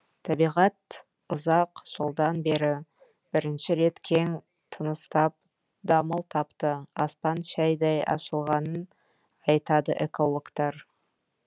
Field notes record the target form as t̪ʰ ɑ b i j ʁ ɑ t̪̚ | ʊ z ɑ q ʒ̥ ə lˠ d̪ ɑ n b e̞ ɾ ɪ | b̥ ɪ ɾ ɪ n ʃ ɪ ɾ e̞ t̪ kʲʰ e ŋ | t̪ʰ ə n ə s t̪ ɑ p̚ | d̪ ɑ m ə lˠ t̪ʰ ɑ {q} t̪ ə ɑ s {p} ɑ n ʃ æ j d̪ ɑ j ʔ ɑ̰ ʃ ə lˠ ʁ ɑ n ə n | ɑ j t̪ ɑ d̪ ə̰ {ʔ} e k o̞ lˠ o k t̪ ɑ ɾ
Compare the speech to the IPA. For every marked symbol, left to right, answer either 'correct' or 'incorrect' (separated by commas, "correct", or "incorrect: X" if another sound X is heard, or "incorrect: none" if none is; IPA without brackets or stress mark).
incorrect: p, correct, correct